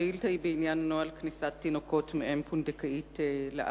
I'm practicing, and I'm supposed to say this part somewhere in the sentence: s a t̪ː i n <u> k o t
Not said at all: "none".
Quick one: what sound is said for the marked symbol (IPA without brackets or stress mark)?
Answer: o